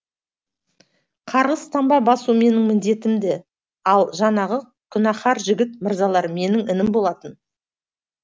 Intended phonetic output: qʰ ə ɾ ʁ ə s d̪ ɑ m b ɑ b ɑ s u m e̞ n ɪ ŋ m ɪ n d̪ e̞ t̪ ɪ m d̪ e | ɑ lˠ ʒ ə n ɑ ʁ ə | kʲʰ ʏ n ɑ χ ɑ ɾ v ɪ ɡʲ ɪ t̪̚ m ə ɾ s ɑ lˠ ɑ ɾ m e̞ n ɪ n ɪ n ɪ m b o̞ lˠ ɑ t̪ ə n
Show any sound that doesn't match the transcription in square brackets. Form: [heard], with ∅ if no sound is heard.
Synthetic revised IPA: qʰ [ɑ] ɾ ʁ ə s [t̪] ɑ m b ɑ b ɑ s u m e̞ n ɪ ŋ m ɪ n d̪ e̞ t̪ ɪ m d̪ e | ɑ lˠ ʒ [ɑ] n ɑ ʁ ə | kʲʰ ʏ n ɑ χ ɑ ɾ [ʒ] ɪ ɡʲ ɪ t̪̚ m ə ɾ [z] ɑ lˠ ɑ ɾ m e̞ n ɪ [ŋ] ɪ n ɪ m b o̞ lˠ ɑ t̪ ə n